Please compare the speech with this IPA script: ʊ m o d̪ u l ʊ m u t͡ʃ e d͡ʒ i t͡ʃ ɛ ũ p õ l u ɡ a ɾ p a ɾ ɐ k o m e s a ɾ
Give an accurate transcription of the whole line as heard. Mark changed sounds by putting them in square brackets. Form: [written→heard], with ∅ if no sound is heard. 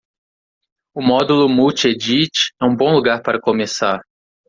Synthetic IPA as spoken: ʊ m [o→ɔ] d̪ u l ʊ m u t͡ʃ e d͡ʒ i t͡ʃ ɛ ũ [p→b] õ l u ɡ a ɾ p a ɾ ɐ k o m e s a ɾ